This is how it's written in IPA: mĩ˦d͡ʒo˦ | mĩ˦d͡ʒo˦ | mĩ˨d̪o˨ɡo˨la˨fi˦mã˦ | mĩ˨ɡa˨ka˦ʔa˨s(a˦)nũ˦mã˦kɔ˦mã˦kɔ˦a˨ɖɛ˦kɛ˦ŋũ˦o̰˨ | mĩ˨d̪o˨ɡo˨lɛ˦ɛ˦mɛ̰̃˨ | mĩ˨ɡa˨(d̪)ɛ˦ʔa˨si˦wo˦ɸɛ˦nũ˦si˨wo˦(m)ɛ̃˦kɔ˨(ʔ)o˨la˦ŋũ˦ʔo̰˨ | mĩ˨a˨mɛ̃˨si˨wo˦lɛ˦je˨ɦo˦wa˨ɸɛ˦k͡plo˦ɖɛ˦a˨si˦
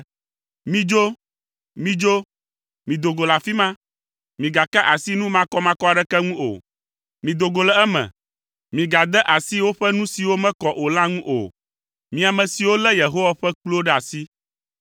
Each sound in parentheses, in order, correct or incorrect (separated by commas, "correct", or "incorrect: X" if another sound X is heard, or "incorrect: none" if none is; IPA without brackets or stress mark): incorrect: i˦, correct, correct, correct